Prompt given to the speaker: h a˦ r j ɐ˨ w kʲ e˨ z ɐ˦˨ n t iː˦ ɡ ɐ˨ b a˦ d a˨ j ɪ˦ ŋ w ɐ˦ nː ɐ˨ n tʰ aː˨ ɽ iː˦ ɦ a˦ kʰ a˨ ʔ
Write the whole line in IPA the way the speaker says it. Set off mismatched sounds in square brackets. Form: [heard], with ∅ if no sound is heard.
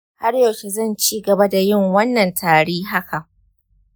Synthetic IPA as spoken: h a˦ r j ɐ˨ w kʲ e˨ z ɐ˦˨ n [t͡ʃ] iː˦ ɡ ɐ˨ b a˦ d a˨ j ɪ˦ ŋ w ɐ˦ nː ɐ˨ n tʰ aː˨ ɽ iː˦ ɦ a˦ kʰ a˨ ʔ